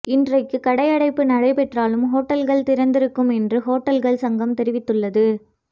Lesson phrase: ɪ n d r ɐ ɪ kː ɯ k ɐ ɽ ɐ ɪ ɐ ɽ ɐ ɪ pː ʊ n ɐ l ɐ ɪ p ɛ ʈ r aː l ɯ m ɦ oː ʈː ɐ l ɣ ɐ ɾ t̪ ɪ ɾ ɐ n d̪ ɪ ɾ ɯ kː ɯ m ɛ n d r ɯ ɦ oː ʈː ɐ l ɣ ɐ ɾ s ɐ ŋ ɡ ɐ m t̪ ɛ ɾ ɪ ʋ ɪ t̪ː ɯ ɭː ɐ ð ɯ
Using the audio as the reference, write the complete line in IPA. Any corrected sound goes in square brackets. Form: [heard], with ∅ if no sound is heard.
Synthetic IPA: ɪ n d r ɐ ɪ kː ɯ k ɐ ɽ ɐ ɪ ɐ ɽ ɐ ɪ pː [ɯ] n ɐ [ɽ] ɐ ɪ p ɛ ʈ r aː l ɯ m ɦ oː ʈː ɐ l ɣ ɐ [ɭ] t̪ ɪ ɾ ɐ n d̪ ɪ ɾ ɯ kː ɯ m ɛ n d r ɯ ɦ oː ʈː ɐ l ɣ ɐ [ɭ] s ɐ ŋ ɡ ɐ m t̪ ɛ ɾ ɪ ʋ ɪ t̪ː ɯ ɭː ɐ ð ɯ

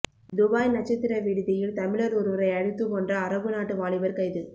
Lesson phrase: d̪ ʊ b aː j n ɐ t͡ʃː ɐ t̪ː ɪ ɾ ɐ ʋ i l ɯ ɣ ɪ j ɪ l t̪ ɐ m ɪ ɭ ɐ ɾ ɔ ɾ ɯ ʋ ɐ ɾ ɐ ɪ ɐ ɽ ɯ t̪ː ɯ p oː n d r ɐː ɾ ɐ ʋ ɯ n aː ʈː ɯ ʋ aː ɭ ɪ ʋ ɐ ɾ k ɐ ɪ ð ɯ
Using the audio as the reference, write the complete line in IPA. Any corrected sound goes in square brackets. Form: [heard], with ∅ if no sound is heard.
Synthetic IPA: d̪ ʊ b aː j n ɐ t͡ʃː ɐ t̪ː ɪ ɾ ɐ ʋ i [ɽ] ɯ [ð] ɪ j ɪ l t̪ ɐ m ɪ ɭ ɐ ɾ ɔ ɾ ɯ ʋ ɐ ɾ ɐ ɪ ɐ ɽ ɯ t̪ː ɯ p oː n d r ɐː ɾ ɐ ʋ ɯ n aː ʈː ɯ ʋ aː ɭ ɪ ʋ ɐ ɾ k ɐ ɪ ð ɯ

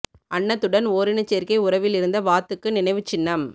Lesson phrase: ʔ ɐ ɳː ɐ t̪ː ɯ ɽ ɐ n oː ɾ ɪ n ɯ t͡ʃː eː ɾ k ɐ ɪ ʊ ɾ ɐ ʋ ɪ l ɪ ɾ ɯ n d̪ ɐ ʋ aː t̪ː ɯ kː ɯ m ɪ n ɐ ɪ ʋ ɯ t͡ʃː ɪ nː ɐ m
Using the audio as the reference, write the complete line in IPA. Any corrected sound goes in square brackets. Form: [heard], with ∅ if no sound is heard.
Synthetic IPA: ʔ ɐ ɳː ɐ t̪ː ɯ ɽ ɐ n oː ɾ ɪ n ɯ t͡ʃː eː ɾ k ɐ ɪ ʊ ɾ ɐ ʋ ɪ l ɪ ɾ ɯ n d̪ ɐ ʋ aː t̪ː ɯ kː ɯ [n] ɪ n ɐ ɪ ʋ ɯ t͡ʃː ɪ nː ɐ m

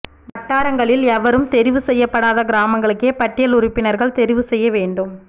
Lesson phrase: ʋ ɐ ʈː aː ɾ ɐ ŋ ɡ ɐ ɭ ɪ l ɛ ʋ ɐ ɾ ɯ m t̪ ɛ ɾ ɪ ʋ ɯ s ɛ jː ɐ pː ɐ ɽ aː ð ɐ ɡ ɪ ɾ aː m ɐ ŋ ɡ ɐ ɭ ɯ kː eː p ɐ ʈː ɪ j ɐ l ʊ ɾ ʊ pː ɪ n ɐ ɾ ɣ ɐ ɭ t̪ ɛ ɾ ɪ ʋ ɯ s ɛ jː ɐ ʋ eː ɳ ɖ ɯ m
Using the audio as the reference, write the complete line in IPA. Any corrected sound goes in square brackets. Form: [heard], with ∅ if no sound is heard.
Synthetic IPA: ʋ ɐ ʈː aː ɾ ɐ ŋ ɡ ɐ ɭ ɪ l ɛ ʋ ɐ ɾ ɯ m t̪ ɛ ɾ ɪ ʋ ɯ s ɛ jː ɐ pː ɐ ɽ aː ð ɐ ɡ ɪ ɾ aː m ɐ ŋ ɡ ɐ ɭ ɯ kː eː p ɐ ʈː ɪ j ɐ l ʊ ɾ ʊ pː ɪ n ɐ ɾ ɣ ɐ ɭ t̪ ɛ ɾ ɪ ʋ ɯ s ɛ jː ɐ ʋ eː ɳ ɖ ɯ m

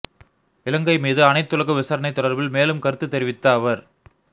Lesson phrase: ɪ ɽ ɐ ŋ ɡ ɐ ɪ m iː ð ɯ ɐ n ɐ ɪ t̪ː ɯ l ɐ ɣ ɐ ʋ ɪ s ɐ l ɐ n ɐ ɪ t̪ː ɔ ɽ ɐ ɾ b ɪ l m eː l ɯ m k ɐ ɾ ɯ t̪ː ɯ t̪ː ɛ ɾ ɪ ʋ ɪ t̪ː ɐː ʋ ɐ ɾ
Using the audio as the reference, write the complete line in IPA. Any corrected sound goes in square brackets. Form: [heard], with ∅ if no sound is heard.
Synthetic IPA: ɪ [l] ɐ ŋ ɡ ɐ ɪ m iː ð ɯ ɐ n ɐ ɪ t̪ː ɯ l ɐ ɣ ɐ ʋ ɪ s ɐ [ɾ] ɐ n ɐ ɪ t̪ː ɔ ɽ ɐ ɾ b ɪ l m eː l ɯ m k ɐ ɾ ɯ t̪ː ɯ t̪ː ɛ ɾ ɪ ʋ ɪ t̪ː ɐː ʋ ɐ ɾ

